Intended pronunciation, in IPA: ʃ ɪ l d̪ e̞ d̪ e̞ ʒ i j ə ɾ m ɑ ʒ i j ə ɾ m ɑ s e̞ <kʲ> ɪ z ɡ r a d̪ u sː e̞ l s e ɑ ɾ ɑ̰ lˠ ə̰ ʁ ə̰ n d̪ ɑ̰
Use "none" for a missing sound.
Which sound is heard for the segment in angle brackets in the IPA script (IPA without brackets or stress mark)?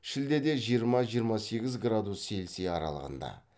ɡʲ